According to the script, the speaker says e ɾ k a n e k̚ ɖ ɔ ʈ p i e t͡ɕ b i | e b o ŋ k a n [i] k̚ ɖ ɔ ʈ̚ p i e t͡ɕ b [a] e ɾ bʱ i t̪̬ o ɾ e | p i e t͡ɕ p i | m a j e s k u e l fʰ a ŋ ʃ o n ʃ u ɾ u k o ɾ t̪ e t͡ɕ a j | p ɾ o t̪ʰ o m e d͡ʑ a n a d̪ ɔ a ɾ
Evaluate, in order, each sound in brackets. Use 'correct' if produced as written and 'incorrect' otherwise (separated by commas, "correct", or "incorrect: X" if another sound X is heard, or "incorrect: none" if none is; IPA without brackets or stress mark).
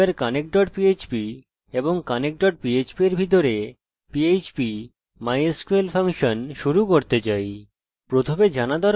incorrect: e, incorrect: i